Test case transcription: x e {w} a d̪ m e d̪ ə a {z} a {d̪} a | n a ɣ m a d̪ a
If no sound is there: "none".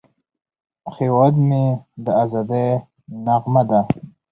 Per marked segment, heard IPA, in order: w, z, d̪

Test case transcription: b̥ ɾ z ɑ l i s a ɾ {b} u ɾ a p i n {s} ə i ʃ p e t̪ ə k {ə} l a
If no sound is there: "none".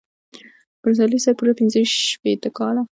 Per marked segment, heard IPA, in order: p, z, ɑ

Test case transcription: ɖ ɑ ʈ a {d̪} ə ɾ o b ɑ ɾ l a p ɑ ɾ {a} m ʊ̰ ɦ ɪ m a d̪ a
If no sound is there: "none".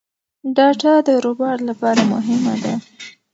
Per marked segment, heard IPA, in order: d̪, a

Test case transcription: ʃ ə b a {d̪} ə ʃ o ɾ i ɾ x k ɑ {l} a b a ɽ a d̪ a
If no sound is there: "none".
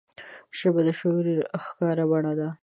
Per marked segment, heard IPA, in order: d̪, ɾ

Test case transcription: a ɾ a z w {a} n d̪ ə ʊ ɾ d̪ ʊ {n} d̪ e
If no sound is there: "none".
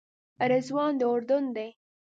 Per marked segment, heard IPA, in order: ɑ, n

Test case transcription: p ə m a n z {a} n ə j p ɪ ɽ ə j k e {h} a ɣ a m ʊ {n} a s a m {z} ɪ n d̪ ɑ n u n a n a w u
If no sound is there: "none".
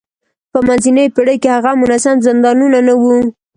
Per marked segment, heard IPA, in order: i, h, n, z

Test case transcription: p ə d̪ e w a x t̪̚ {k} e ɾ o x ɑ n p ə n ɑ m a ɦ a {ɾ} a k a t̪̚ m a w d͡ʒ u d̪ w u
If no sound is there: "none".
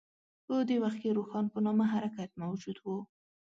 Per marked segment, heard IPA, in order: k, ɾ

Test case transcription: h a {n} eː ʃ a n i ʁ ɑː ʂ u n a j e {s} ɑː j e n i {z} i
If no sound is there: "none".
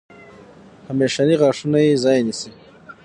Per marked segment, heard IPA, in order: m, z, s

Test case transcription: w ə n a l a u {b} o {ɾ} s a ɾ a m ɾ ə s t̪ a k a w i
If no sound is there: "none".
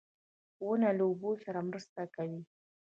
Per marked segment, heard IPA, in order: b, none

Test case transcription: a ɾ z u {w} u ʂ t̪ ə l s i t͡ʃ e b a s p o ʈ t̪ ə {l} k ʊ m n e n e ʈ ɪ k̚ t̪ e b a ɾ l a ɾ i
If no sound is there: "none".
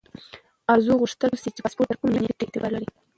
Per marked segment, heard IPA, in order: ɣ, ɾ

